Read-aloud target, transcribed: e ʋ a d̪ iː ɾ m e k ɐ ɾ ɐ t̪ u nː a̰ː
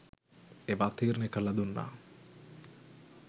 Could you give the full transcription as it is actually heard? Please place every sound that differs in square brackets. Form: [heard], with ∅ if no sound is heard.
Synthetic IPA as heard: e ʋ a [t̪] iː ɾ [n] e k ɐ [l] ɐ [d̪] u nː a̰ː

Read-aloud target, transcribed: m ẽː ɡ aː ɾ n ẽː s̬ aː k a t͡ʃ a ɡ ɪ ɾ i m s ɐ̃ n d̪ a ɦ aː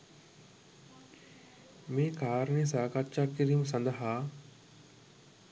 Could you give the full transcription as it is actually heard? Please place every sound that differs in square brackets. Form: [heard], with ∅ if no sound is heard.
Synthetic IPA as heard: m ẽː [k] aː ɾ n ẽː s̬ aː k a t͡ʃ a [k] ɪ ɾ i m s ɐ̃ n d̪ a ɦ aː

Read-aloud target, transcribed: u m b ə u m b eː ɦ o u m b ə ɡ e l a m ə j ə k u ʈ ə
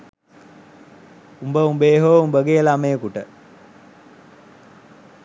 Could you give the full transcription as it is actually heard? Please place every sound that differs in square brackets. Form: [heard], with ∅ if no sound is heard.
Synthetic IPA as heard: u m b ə u m b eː ɦ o u m b ə ɡ e l a m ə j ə k u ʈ ə

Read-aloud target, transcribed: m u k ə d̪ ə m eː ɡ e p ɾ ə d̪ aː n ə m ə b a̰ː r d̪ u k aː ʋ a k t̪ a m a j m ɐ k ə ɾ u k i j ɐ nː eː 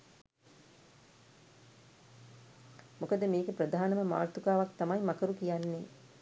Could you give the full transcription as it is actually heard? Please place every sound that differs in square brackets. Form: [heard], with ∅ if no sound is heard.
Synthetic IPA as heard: m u k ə d̪ ə m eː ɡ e p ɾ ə d̪ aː n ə m ə [m] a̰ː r [t̪] u k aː ʋ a k t̪ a m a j m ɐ k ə ɾ u k i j [a] nː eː

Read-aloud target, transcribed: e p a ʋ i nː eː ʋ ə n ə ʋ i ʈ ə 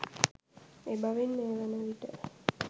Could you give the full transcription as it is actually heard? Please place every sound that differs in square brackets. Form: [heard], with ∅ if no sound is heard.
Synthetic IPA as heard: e [b] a ʋ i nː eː ʋ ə n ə ʋ i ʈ ə

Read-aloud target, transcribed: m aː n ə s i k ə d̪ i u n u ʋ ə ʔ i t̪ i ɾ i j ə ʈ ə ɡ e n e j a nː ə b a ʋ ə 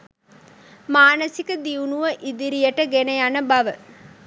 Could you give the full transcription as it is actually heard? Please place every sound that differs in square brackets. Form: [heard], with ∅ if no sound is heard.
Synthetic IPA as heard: m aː n ə s i k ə d̪ i u n u ʋ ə ʔ i [d̪] i ɾ i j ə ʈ ə ɡ e n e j a [n] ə b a ʋ ə

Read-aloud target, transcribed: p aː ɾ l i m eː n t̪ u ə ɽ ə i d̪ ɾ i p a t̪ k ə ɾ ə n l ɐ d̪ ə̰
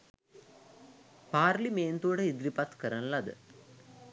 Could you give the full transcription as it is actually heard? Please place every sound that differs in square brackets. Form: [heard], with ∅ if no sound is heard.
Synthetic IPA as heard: p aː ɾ l i m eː n t̪ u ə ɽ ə i d̪ ɾ i p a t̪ k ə ɾ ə n l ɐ d̪ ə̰

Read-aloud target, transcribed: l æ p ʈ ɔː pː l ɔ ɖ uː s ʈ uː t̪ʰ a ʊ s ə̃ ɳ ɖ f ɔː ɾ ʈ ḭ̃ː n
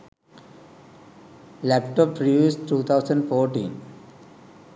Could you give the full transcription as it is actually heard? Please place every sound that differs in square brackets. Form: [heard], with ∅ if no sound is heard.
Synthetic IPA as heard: l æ p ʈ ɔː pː [ɾ] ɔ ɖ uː s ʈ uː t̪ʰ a ʊ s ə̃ ɳ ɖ f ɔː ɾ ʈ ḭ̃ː n

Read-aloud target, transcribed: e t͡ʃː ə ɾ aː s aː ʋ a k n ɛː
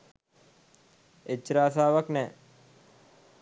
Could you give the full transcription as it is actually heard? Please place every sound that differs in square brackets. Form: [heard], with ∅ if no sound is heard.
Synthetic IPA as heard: e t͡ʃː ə ɾ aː s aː ʋ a k n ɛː

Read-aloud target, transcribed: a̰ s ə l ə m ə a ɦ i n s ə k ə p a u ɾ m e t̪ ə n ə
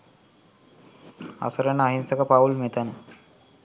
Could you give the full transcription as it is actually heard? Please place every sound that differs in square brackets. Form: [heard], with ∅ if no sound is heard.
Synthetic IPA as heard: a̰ s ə [ɾ] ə [n] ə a ɦ i n s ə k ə p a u [l] m e t̪ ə n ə

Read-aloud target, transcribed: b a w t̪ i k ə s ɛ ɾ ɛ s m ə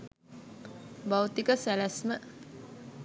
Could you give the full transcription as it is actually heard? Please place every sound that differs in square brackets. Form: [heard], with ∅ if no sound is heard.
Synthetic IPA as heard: b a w t̪ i k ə s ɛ [l] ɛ s m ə

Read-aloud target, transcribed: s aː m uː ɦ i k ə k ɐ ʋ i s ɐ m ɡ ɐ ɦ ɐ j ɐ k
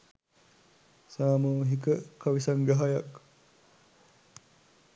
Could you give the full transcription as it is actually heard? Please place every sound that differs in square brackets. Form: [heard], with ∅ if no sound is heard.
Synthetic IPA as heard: s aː m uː ɦ i k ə k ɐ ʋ i s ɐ [ŋ] ɡ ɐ ɦ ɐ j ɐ k

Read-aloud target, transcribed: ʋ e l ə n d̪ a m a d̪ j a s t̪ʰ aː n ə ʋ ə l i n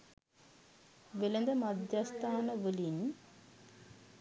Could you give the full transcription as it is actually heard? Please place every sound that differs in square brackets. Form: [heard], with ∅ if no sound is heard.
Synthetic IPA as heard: ʋ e l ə n d̪ [ə] m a d̪ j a s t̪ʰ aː n ə ʋ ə l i n

